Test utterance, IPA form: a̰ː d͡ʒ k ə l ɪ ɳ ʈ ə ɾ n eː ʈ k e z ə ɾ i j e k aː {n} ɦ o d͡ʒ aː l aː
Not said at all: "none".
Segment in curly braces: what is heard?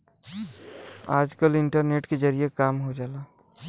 m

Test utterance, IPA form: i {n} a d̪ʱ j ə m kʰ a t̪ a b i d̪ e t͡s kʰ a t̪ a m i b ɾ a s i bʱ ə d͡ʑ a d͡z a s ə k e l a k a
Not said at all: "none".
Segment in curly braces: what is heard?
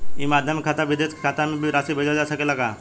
m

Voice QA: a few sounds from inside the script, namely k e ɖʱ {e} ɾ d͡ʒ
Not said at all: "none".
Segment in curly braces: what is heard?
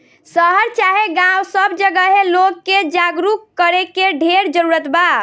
e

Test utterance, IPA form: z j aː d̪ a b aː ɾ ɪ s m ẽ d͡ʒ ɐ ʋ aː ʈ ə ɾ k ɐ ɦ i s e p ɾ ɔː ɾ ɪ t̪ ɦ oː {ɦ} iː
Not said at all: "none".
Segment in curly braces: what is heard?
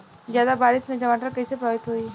none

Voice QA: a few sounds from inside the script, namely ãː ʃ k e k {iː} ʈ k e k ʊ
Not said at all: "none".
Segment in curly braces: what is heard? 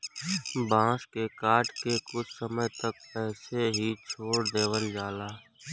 aː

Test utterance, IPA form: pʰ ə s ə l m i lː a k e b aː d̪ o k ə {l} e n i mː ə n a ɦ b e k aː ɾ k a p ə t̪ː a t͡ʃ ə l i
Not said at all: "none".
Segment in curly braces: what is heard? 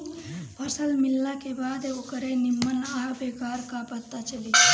ɾ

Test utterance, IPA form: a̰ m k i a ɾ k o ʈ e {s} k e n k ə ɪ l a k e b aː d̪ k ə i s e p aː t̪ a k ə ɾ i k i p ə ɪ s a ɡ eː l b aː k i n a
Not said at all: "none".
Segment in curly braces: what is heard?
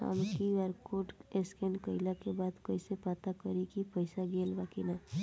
s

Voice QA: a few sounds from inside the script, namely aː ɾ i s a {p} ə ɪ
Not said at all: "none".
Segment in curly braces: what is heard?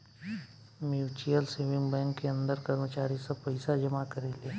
p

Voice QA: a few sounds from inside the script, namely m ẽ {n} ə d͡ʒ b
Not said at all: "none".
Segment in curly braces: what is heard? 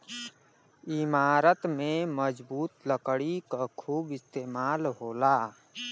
m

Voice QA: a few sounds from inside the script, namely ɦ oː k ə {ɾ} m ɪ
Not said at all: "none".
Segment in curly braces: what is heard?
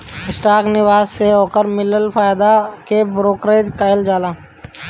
ɾ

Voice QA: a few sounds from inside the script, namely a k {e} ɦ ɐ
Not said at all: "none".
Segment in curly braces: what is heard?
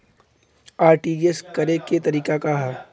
a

